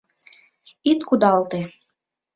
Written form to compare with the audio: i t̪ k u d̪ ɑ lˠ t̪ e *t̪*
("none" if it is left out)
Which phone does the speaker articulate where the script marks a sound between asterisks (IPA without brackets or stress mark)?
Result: none